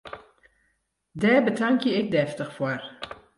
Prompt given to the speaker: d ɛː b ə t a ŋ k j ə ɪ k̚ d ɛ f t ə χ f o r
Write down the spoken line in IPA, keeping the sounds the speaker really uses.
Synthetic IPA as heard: d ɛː b ə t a ŋ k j ə ɪ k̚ d ɛ f t ə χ f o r